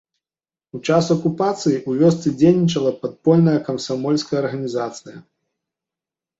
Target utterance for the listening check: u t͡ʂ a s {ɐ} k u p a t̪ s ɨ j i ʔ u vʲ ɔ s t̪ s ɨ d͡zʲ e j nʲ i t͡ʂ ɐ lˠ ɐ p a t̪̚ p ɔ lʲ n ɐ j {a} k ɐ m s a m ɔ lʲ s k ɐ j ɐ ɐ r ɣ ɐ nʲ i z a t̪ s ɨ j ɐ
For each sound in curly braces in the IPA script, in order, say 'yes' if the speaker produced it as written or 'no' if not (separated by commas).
yes, no